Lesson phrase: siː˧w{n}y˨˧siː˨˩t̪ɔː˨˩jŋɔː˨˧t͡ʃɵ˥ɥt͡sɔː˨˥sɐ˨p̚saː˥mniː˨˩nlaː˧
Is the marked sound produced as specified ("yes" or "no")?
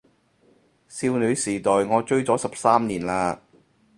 yes